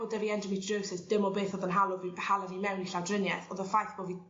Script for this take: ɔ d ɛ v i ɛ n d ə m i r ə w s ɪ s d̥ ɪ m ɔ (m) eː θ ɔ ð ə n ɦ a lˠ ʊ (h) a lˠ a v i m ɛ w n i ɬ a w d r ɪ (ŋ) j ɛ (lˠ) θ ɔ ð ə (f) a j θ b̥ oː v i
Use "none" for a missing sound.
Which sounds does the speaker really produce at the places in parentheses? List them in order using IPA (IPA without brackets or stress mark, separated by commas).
b, h, n, none, f